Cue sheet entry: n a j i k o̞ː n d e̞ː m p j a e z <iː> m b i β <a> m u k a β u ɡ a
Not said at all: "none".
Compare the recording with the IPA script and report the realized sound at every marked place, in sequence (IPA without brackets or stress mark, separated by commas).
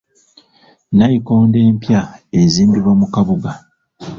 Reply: iː, a